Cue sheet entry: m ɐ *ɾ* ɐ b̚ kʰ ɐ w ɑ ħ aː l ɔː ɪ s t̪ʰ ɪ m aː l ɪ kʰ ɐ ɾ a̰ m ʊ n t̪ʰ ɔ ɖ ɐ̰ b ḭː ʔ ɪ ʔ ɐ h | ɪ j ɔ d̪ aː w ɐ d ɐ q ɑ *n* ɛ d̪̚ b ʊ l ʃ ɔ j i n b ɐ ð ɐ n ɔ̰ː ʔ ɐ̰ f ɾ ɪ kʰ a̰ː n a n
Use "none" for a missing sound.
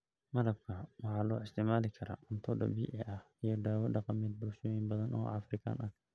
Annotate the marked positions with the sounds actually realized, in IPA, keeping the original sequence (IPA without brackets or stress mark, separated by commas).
ɾ, m